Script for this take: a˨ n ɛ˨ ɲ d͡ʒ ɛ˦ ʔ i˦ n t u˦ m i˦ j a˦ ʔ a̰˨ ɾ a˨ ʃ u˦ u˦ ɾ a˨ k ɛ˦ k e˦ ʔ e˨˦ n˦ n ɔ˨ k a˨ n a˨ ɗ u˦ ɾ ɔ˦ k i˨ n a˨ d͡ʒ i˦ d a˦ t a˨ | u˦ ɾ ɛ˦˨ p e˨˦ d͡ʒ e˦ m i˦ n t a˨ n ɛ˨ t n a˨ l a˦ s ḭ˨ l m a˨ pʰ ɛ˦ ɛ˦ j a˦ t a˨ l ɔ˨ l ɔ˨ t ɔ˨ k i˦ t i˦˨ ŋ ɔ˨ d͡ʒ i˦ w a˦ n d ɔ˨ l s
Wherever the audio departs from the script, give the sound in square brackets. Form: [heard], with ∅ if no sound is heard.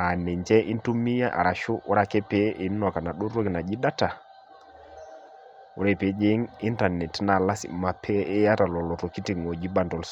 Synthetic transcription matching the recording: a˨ n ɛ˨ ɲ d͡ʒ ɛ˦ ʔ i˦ n t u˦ m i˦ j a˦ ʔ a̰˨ ɾ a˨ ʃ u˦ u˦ ɾ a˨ k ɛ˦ [p] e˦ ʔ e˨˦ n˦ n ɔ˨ k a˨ n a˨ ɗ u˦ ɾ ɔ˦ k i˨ n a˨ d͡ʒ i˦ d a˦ t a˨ | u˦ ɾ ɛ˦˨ p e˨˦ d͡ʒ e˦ [ŋ] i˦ n t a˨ n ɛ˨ t n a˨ l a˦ s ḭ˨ [∅] m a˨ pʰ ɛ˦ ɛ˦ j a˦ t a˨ l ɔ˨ l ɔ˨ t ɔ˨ k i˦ t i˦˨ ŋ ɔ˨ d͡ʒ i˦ [b] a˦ n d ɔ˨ l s